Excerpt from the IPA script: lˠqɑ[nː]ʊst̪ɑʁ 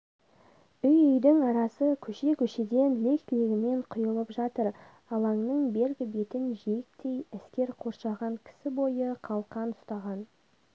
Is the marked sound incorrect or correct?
incorrect